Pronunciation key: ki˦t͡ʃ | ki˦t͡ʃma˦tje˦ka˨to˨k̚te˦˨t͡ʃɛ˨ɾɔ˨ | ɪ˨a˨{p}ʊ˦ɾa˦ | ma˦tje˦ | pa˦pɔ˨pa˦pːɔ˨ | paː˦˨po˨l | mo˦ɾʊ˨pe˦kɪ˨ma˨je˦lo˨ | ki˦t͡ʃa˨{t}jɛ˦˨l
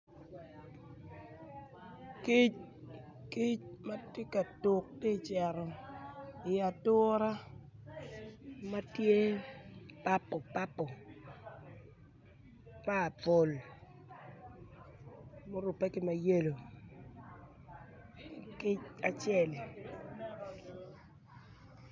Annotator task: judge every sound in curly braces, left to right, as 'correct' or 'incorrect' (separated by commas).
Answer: incorrect, incorrect